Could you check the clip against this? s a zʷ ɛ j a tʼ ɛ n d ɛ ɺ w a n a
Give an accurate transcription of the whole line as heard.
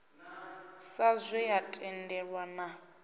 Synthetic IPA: s a zʷ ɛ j a tʼ ɛ n d ɛ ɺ w a n a